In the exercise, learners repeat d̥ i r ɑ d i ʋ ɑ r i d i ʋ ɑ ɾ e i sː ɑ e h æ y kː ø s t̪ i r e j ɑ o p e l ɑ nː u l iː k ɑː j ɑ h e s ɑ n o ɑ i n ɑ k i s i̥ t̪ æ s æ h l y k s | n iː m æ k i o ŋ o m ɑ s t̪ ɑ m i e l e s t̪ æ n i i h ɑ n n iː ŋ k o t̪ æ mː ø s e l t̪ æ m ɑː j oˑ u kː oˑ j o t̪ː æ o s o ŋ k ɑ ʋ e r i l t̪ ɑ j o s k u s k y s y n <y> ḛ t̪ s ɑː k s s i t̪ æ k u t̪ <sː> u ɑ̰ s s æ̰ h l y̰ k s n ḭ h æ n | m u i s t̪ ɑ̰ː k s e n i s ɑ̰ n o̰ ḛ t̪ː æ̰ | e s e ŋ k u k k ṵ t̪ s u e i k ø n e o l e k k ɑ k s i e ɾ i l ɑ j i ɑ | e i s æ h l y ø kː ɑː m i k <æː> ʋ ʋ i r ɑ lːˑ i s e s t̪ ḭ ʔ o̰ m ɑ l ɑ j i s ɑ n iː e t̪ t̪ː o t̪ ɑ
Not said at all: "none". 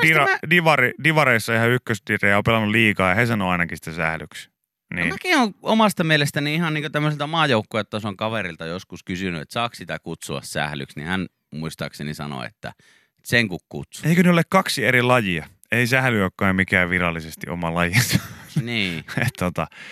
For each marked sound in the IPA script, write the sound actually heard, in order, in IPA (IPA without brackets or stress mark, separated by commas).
y, s, æː